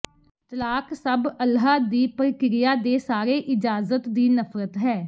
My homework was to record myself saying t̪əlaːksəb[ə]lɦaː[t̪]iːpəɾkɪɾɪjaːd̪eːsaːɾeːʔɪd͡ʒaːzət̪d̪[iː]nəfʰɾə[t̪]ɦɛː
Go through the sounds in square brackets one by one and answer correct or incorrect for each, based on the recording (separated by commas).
correct, incorrect, correct, correct